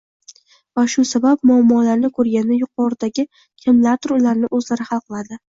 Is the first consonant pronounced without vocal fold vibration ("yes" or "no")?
no